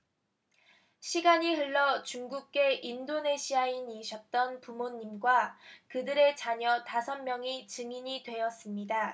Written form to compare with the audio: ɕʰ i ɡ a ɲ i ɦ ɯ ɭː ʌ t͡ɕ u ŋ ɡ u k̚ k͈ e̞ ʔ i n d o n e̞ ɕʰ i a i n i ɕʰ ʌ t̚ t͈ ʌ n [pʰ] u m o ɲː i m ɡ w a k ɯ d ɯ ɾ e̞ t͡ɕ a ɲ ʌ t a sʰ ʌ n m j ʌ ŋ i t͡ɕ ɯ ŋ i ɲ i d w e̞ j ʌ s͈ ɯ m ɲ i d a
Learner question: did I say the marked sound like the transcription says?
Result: no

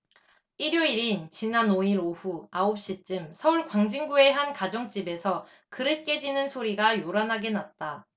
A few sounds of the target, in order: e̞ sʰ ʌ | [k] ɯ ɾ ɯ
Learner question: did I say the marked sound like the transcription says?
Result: yes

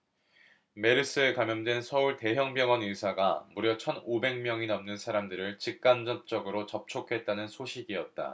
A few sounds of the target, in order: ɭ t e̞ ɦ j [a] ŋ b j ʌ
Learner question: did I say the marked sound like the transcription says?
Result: no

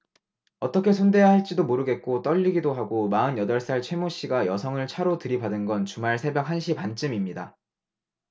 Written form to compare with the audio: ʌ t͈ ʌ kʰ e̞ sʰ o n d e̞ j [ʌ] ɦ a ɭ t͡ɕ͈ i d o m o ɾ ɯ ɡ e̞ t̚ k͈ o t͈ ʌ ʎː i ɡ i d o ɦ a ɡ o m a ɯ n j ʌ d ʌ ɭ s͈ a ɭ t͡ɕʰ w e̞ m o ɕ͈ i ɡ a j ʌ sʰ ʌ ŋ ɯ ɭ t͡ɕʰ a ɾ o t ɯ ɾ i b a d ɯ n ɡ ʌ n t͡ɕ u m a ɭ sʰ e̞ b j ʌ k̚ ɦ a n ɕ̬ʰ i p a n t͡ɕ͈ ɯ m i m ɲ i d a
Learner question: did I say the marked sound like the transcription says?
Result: no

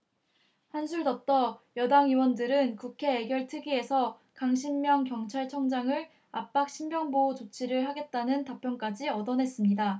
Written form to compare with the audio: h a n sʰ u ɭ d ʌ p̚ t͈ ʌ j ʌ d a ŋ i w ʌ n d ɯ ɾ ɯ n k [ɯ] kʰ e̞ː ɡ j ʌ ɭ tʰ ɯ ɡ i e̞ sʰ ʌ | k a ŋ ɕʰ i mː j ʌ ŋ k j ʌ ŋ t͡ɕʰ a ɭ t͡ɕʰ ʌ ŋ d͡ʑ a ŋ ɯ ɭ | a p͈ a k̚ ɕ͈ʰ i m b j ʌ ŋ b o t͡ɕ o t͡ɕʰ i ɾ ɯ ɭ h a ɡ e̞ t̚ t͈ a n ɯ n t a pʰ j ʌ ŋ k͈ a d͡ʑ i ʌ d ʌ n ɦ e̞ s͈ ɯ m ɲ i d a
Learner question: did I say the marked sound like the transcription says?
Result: no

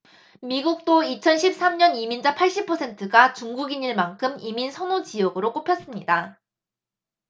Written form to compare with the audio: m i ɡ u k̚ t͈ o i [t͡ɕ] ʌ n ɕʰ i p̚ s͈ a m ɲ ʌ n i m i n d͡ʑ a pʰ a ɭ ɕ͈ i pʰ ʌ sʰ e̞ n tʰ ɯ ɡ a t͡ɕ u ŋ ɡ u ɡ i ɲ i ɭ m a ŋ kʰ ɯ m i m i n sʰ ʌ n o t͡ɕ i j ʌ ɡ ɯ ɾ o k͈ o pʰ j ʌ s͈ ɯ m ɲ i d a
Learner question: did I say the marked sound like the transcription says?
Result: no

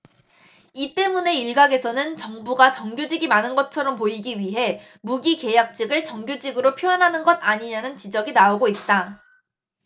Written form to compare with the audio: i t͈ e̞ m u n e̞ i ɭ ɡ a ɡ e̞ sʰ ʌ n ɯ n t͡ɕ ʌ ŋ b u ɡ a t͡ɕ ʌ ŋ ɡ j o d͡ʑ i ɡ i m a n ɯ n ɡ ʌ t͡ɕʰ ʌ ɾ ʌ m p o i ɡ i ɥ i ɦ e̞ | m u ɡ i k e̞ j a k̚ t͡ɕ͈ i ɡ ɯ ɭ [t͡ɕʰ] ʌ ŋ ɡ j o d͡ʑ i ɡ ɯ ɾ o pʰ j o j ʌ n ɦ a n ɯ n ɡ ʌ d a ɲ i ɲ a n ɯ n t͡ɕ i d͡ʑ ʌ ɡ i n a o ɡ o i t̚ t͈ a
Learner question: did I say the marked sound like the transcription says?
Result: no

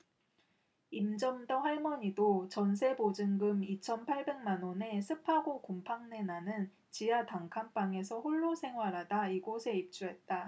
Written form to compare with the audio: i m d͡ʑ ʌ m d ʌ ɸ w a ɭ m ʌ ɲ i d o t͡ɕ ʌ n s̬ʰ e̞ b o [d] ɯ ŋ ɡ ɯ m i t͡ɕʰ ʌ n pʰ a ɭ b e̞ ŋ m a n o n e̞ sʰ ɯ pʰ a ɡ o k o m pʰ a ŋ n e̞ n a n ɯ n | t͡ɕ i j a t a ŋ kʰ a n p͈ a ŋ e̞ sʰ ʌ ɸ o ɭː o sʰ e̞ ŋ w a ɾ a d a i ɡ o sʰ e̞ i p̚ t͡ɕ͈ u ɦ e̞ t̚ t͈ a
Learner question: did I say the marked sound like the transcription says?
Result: no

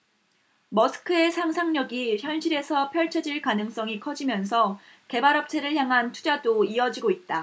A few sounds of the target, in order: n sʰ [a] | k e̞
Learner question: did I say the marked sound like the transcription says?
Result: no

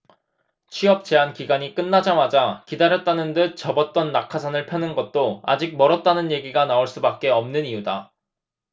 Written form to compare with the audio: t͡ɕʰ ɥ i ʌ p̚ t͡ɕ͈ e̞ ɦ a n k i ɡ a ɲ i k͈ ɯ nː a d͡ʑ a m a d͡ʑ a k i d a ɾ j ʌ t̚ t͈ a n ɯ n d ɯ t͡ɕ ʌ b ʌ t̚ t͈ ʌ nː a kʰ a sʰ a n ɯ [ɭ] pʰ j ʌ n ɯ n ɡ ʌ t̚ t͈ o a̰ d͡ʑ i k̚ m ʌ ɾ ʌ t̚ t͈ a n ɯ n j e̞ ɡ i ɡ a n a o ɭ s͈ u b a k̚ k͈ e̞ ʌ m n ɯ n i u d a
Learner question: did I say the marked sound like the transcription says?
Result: yes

